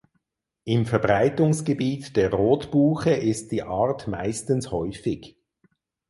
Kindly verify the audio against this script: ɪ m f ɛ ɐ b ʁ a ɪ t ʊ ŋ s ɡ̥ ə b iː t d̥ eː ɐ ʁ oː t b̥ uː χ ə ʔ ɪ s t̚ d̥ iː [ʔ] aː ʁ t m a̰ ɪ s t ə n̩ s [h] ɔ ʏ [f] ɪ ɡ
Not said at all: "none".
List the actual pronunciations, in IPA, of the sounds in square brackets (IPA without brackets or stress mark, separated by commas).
ʔ, h, f